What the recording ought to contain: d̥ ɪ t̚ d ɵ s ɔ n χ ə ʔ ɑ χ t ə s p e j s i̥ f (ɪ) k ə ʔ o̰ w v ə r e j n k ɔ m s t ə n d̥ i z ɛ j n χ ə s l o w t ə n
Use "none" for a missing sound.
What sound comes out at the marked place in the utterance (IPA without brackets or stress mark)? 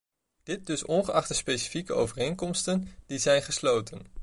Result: i